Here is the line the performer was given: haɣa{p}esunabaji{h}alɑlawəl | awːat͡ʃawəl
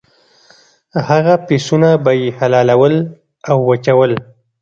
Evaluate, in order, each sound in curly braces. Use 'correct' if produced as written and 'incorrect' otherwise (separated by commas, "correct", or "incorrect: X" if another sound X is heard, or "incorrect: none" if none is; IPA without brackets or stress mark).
correct, correct